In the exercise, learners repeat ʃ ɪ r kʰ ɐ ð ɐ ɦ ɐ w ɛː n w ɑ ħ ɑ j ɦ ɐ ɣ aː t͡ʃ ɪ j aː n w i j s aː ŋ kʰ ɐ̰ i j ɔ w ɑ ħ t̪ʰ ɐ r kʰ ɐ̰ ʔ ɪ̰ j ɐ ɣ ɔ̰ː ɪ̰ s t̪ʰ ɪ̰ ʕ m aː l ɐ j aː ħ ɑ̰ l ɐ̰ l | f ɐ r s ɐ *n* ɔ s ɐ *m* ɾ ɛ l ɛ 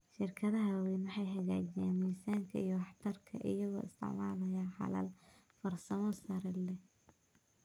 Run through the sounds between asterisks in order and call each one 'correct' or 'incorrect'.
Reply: incorrect, incorrect

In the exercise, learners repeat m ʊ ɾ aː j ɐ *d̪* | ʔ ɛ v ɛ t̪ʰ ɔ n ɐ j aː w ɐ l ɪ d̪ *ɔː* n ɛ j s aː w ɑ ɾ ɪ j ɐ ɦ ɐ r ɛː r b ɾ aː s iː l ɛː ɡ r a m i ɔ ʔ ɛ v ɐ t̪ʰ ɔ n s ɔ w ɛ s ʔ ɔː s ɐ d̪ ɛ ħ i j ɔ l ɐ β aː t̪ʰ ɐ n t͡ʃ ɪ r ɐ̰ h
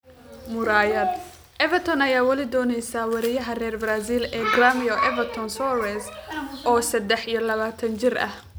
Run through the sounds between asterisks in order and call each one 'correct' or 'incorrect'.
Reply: correct, correct

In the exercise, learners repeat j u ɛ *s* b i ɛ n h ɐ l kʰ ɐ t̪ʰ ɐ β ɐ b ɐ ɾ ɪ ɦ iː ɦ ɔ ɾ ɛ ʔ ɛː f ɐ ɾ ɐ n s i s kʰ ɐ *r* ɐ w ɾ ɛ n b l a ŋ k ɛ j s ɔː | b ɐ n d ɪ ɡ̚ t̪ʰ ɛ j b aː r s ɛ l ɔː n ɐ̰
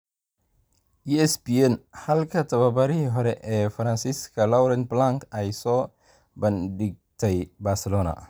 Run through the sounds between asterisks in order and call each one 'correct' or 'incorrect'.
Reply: correct, incorrect

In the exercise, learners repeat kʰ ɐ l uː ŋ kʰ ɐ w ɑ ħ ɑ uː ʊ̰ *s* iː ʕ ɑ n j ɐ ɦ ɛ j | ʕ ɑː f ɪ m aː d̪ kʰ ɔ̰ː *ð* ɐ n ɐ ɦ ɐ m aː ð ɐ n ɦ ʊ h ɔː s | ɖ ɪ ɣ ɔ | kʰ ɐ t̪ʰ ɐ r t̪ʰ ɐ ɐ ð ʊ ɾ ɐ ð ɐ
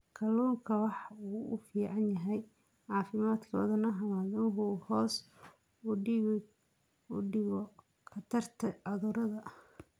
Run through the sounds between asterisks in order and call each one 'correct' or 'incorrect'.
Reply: incorrect, correct

